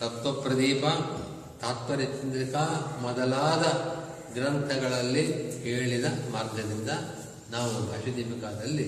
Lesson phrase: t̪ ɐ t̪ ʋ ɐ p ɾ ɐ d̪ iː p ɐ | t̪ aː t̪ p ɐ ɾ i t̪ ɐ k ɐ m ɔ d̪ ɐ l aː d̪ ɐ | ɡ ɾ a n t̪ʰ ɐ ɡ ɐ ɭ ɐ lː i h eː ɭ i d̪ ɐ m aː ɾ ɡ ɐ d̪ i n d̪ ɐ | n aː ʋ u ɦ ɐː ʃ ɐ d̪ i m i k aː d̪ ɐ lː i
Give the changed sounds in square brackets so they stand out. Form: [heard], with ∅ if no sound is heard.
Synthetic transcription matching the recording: t̪ ɐ t̪ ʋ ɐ p ɾ ɐ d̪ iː p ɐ | t̪ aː t̪ p ɐ ɾ i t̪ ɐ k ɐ m ɔ d̪ ɐ l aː d̪ ɐ | ɡ ɾ [ɐ] n t̪ʰ ɐ ɡ ɐ ɭ ɐ lː i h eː ɭ i d̪ ɐ m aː ɾ ɡ ɐ d̪ i n d̪ ɐ | n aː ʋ u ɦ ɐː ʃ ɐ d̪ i m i k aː d̪ ɐ lː i